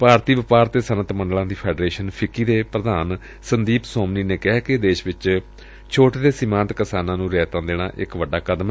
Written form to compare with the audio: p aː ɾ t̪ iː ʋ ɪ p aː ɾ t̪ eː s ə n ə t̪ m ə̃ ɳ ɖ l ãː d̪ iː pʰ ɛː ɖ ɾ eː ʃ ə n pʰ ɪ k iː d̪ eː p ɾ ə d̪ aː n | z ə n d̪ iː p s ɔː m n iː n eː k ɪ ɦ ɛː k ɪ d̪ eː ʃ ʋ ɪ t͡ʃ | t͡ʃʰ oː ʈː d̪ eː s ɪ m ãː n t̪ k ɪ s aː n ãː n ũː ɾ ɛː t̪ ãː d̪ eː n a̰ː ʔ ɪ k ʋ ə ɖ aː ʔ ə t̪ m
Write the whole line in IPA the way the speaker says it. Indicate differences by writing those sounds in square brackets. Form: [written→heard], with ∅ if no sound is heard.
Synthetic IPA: p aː ɾ t̪ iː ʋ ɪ p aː ɾ t̪ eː s ə n ə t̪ m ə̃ ɳ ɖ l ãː d̪ iː pʰ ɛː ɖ ɾ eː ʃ ə n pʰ ɪ k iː d̪ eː p ɾ ə d̪ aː n | [z→s] ə n d̪ iː p s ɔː m n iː n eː k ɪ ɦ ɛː k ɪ d̪ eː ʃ ʋ ɪ t͡ʃ | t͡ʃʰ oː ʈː d̪ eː s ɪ m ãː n t̪ k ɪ s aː n ãː n ũː ɾ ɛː t̪ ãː d̪ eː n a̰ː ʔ ɪ k ʋ ə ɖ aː [ʔ→k] ə [t̪→d̪] m